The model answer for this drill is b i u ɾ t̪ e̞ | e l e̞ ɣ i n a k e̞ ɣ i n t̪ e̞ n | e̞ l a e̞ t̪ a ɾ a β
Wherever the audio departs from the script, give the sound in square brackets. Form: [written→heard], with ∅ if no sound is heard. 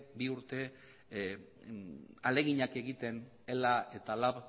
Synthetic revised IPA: b i u ɾ t̪ e̞ | [e→a] l e̞ ɣ i [n→ɲ] a k e̞ ɣ i [n→∅] t̪ e̞ n | e̞ l a e̞ t̪ a [ɾ→l] a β